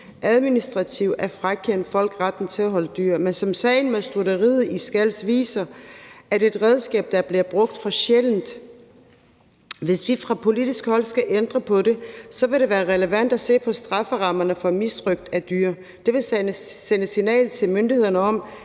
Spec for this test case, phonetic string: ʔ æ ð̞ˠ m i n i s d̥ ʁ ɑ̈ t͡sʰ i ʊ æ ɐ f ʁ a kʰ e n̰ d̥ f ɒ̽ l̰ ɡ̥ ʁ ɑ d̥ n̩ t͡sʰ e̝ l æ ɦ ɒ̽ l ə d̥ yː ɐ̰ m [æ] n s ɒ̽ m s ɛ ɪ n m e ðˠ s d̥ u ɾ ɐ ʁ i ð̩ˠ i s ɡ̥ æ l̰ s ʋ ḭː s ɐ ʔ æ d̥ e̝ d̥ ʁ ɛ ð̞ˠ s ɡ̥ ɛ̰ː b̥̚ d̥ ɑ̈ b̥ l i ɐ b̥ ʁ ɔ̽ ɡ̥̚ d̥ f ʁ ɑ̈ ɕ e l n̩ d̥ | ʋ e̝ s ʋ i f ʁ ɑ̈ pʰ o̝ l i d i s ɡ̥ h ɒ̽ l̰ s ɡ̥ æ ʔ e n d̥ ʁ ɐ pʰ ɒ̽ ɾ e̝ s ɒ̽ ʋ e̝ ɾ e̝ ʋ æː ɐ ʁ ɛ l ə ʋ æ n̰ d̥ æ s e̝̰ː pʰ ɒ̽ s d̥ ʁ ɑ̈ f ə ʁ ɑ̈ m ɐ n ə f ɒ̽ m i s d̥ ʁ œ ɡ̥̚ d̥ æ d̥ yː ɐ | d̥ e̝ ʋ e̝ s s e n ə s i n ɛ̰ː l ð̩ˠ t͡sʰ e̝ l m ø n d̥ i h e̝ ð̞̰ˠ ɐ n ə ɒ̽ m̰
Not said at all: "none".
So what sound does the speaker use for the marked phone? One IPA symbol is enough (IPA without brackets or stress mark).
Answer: e